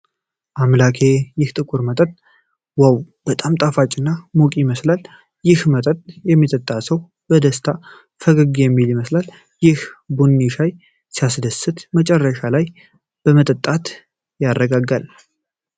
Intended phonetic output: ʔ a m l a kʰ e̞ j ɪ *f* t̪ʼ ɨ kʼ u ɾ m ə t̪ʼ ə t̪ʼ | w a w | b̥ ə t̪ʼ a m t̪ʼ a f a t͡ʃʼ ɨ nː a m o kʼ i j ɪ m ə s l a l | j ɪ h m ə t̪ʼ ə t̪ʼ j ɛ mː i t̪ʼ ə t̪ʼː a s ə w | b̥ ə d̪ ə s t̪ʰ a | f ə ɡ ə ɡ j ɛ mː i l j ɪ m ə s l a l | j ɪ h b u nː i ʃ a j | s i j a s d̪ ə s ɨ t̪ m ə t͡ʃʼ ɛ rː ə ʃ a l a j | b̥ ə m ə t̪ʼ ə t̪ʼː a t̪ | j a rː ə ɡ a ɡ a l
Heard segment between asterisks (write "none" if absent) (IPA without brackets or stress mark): h